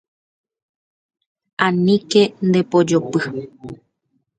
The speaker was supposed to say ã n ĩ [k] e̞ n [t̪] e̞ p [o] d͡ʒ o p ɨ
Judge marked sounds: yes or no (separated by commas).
yes, no, yes